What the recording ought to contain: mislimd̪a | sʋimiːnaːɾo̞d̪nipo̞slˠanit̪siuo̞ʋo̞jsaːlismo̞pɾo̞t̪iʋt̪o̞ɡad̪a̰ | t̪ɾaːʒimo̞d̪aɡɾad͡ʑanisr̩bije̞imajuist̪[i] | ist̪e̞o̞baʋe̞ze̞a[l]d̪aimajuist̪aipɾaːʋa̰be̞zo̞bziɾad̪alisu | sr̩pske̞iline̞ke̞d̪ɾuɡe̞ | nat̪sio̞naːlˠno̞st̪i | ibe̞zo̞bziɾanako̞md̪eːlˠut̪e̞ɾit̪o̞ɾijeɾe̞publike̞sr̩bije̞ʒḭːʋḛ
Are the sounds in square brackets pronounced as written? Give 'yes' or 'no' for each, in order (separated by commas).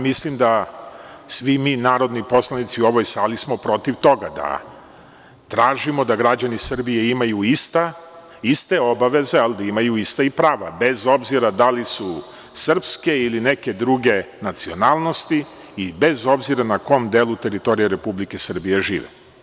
no, yes